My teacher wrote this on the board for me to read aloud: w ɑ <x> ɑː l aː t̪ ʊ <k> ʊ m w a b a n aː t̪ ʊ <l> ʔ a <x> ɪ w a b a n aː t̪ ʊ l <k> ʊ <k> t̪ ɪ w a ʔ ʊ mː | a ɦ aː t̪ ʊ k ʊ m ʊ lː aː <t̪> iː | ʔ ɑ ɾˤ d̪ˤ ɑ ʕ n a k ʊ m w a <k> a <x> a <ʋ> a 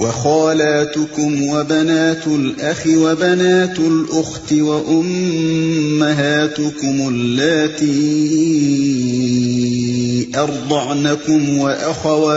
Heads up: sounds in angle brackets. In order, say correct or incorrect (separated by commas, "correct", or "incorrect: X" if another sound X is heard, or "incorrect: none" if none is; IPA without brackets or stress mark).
correct, correct, correct, correct, incorrect: ʔ, incorrect: x, correct, incorrect: ʔ, correct, incorrect: w